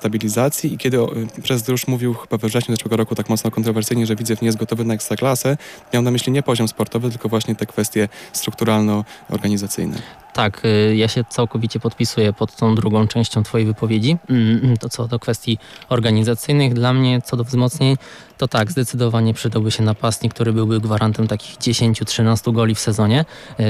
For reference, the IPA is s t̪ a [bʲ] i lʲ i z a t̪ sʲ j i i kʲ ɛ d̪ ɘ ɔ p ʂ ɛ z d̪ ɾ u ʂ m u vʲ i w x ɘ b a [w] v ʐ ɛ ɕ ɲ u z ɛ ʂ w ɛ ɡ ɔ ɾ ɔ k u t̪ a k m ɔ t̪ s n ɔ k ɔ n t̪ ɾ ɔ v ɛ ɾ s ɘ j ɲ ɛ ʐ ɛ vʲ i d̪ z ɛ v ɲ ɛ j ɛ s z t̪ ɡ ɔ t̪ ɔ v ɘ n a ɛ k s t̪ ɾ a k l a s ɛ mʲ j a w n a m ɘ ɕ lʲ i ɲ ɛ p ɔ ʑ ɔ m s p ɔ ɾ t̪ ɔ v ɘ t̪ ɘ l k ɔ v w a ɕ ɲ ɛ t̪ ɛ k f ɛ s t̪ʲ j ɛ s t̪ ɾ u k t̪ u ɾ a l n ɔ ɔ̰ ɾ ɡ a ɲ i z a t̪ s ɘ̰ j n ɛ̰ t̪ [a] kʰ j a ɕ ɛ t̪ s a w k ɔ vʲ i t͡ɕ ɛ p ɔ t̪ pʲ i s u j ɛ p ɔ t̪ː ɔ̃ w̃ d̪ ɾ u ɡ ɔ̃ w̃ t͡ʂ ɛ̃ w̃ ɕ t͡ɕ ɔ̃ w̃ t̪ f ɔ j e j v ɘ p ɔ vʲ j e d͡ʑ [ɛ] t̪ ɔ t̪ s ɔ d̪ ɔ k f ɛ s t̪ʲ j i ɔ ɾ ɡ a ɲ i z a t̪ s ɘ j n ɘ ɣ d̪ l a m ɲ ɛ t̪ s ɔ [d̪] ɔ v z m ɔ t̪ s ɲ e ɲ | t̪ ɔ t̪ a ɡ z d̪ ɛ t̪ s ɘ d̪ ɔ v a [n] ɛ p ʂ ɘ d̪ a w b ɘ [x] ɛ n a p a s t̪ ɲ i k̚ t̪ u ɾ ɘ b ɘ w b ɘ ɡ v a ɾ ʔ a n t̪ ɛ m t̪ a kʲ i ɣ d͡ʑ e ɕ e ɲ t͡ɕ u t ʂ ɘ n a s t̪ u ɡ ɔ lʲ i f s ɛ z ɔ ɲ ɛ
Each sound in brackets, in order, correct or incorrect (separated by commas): correct, incorrect, correct, incorrect, correct, incorrect, incorrect